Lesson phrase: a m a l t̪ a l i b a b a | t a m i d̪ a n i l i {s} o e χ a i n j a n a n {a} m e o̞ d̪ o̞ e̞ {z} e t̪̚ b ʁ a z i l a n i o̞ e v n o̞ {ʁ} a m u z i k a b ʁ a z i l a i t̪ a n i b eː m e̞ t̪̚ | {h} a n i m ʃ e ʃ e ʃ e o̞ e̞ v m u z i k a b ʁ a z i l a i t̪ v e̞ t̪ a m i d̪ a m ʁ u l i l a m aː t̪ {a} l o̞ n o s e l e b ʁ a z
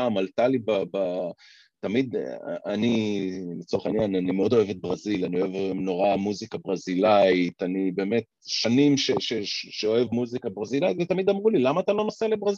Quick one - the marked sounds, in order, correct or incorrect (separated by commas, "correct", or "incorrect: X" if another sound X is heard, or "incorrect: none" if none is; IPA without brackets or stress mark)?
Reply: incorrect: t͡s, incorrect: i, incorrect: v, correct, incorrect: ʃ, correct